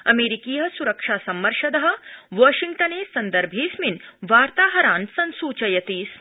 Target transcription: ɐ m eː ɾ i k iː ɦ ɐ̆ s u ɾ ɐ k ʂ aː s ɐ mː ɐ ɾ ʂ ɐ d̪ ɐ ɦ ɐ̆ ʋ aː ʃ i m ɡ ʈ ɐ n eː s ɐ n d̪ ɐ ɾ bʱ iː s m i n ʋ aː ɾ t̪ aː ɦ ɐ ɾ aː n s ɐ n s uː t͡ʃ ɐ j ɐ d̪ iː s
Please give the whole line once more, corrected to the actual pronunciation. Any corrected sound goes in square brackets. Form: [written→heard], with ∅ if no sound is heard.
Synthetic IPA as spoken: ɐ m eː ɾ i k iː ɦ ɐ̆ s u ɾ ɐ k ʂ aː s ɐ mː ɐ ɾ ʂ ɐ d̪ ɐ ɦ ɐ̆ ʋ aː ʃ i [m→ŋ] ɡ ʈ ɐ n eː s ɐ n d̪ ɐ ɾ bʱ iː s m i n ʋ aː ɾ t̪ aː ɦ ɐ ɾ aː n s ɐ n s uː t͡ʃ ɐ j ɐ [d̪→t̪] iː s